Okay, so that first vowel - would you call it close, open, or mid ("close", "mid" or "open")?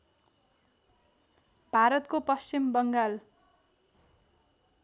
open